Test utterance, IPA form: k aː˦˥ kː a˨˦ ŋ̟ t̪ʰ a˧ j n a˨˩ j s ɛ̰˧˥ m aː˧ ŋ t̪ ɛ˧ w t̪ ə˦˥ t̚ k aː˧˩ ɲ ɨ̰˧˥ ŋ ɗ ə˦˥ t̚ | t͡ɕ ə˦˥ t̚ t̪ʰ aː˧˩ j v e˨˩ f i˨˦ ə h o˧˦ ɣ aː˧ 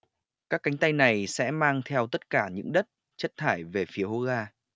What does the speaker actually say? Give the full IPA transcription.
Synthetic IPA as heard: k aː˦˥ kː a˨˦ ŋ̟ t̪ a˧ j n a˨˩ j s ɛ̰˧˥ m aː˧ ŋ t̪ʰ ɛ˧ w t̪ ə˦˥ t̚ k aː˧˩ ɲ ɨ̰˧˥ ŋ ɗ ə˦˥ t̚ | t͡ɕ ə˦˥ t̚ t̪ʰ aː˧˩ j v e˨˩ f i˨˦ ə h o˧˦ ɣ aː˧